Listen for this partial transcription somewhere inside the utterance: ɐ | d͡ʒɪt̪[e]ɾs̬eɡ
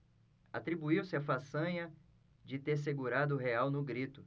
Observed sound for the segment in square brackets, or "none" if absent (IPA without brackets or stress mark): e